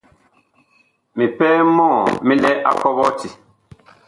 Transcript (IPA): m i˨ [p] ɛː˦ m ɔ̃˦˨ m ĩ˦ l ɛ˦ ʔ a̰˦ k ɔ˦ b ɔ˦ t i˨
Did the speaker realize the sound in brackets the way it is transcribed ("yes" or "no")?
yes